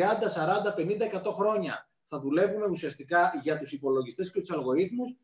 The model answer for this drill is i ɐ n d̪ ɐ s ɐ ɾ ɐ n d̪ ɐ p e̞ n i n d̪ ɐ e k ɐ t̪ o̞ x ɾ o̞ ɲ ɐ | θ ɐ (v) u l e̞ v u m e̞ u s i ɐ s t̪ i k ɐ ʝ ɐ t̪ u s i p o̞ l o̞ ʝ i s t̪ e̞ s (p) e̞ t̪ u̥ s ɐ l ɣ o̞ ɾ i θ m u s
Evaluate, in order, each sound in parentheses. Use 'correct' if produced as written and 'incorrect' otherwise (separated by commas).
incorrect, incorrect